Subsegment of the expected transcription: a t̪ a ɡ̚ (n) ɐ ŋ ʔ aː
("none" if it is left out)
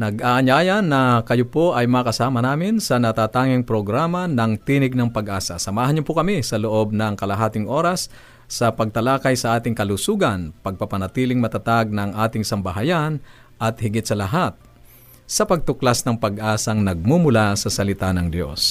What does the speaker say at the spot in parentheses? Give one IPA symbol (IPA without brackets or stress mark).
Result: n